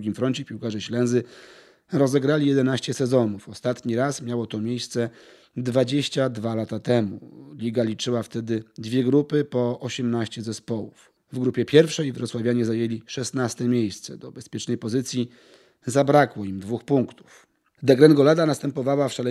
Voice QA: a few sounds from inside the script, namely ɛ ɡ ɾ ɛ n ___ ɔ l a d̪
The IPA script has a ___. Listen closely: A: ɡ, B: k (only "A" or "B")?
A